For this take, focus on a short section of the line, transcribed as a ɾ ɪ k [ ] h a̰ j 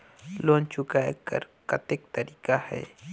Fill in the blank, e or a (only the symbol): a